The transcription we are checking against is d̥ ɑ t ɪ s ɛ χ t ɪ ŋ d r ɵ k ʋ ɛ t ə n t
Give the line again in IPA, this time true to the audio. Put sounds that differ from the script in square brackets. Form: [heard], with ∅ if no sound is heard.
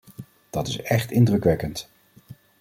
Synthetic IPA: d̥ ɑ t ɪ s ɛ χ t ɪ [n] d r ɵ k ʋ ɛ [k] ə n t